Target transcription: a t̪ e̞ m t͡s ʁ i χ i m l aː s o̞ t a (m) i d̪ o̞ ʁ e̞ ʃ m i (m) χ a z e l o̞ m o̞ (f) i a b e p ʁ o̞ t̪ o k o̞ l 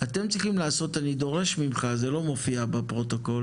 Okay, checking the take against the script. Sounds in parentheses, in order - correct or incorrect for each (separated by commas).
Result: incorrect, correct, correct